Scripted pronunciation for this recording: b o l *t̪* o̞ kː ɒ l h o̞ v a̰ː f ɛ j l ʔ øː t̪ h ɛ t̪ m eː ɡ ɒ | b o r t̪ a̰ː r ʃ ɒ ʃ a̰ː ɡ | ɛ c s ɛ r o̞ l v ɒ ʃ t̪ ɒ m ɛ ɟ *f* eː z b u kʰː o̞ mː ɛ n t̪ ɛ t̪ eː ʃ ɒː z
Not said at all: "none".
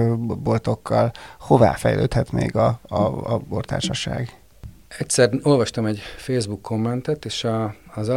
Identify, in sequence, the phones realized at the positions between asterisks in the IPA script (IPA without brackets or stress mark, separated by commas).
t̪, f